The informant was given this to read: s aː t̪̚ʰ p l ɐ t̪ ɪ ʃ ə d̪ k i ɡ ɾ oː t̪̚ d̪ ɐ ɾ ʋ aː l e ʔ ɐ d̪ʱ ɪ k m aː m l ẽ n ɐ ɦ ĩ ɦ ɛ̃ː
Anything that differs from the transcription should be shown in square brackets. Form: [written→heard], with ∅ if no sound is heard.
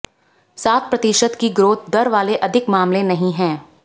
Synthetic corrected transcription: s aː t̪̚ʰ p [l→ɾ] ɐ t̪ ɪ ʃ ə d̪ k i ɡ ɾ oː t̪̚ d̪ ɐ ɾ ʋ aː l e ʔ ɐ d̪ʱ ɪ k m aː m l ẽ n ɐ ɦ ĩ ɦ ɛ̃ː